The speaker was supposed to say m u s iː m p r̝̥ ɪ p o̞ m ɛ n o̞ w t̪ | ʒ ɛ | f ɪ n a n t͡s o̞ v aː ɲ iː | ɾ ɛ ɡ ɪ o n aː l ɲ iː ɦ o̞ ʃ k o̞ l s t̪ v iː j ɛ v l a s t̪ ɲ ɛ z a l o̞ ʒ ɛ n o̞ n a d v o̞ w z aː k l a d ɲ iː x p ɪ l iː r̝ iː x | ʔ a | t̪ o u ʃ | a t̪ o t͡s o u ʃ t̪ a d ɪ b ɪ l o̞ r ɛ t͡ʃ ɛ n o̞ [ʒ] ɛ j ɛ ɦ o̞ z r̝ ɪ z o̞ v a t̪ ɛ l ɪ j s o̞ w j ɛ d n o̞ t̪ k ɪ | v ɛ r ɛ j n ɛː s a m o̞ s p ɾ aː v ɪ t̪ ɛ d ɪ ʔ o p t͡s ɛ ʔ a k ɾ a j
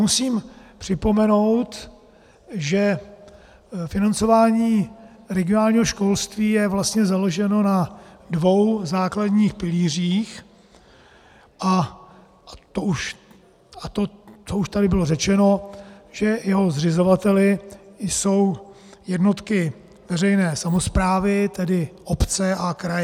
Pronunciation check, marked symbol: correct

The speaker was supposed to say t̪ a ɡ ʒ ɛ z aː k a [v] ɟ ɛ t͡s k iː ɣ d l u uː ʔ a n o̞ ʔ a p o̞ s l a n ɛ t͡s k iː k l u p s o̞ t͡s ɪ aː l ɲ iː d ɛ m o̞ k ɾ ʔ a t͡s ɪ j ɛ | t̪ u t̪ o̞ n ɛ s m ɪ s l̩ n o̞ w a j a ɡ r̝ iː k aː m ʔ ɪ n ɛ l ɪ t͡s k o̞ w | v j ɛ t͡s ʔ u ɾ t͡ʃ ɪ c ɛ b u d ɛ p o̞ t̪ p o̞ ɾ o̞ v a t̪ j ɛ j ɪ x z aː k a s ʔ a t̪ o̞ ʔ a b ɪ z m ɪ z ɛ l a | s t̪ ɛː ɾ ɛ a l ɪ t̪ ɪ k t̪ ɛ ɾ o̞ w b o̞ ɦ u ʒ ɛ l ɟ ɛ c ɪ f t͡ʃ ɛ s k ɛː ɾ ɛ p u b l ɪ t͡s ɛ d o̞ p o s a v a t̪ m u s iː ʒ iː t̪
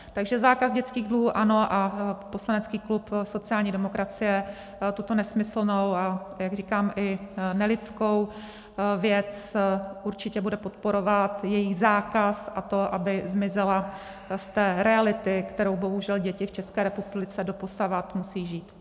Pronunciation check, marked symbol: incorrect: z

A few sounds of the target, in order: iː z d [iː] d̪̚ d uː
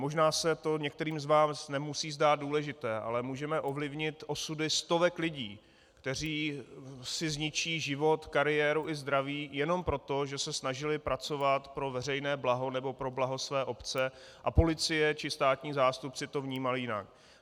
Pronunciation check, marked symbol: incorrect: aː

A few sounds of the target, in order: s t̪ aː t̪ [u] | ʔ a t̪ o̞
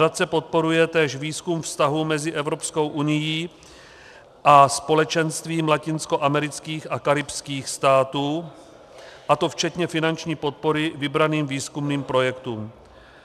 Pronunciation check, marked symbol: incorrect: uː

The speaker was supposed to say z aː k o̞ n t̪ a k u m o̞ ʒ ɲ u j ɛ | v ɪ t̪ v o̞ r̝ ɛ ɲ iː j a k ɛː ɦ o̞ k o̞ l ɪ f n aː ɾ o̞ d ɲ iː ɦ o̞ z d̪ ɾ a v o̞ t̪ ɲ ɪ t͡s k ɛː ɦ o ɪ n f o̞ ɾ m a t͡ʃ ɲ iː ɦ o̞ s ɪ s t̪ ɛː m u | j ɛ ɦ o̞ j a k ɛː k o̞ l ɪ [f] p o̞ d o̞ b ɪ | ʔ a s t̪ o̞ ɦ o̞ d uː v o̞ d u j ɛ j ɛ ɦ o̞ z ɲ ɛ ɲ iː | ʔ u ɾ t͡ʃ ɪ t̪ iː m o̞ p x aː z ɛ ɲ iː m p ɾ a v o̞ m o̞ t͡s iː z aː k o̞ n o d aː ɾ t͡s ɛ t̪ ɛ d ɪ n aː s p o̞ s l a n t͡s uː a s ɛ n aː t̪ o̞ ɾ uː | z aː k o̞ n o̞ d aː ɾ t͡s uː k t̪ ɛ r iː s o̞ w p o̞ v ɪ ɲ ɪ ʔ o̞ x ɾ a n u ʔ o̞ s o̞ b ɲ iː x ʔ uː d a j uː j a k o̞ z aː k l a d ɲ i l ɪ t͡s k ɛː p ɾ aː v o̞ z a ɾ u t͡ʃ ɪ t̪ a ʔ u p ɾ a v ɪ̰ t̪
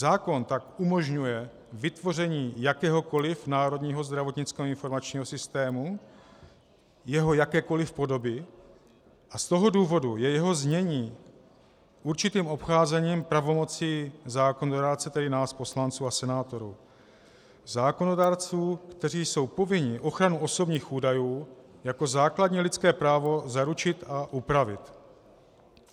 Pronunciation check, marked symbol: correct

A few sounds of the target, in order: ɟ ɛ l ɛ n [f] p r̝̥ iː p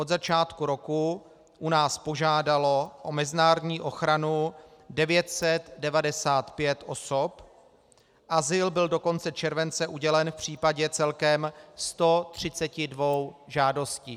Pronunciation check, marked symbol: correct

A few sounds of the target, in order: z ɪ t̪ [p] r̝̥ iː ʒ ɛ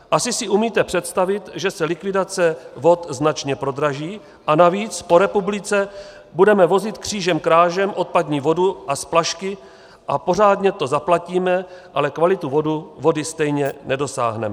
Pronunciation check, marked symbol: incorrect: k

